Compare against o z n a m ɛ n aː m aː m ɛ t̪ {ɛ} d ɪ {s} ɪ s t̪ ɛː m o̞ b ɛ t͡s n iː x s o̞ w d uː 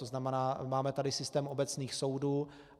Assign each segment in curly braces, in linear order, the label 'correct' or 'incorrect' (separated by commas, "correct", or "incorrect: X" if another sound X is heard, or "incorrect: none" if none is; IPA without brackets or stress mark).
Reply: incorrect: a, correct